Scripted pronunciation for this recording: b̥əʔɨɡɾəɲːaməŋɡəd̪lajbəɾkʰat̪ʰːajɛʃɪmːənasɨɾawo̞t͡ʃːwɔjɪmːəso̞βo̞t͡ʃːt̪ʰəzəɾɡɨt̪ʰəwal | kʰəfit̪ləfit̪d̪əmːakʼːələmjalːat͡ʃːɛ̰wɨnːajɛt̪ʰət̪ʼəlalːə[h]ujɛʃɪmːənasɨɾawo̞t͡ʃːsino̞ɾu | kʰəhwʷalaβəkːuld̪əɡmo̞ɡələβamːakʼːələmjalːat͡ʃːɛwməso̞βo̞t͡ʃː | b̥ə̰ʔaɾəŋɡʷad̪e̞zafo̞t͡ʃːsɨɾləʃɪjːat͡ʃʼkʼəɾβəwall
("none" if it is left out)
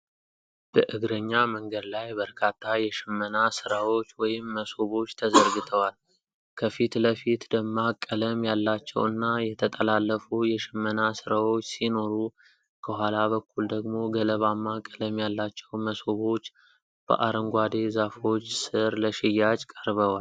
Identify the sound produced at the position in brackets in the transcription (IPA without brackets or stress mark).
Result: f